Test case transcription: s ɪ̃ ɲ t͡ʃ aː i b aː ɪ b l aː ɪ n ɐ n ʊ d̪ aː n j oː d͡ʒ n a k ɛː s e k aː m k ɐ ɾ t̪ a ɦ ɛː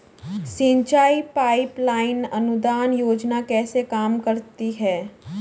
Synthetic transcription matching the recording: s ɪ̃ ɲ t͡ʃ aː i p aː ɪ p l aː ɪ n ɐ n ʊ d̪ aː n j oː d͡ʒ n a k ɛː s e k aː m k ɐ ɾ t̪ i ɦ ɛː